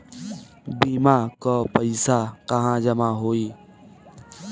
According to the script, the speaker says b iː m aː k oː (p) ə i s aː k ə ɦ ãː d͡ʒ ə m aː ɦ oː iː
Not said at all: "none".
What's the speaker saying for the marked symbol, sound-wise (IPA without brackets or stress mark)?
p